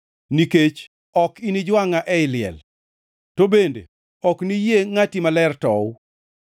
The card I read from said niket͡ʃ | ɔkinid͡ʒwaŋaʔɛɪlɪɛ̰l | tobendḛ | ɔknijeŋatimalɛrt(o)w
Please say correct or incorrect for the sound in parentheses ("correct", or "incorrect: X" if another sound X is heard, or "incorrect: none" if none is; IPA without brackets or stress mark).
incorrect: ɔ